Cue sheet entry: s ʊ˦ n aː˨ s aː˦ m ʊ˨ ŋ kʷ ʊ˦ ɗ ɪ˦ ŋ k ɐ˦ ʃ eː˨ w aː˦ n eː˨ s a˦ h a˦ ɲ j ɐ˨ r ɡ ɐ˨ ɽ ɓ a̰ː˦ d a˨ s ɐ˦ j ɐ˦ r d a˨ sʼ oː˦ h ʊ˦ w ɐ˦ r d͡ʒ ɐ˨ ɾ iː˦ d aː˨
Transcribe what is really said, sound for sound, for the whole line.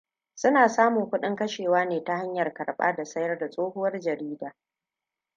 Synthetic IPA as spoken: s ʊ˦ n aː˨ s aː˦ m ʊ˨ ŋ kʷ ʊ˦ ɗ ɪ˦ ŋ k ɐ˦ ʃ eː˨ w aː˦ n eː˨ t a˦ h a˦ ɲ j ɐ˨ r k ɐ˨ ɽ ɓ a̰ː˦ d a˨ s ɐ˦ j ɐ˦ r d a˨ sʼ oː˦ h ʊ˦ w ɐ˦ r d͡ʒ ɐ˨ ɾ iː˦ d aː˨